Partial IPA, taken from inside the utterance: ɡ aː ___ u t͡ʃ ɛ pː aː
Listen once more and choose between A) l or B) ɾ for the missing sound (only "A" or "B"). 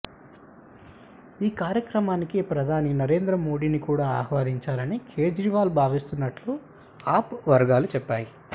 A